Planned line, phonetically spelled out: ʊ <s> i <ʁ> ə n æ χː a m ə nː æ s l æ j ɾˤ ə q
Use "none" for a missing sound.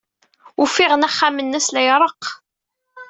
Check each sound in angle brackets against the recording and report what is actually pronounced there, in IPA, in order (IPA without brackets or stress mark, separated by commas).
f, ʁ